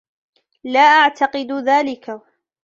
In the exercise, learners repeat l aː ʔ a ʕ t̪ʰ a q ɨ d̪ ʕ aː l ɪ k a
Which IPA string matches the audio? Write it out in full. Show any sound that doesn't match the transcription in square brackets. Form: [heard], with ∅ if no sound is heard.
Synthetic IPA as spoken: l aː ʔ a ʕ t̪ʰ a q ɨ d̪ [ð] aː l ɪ k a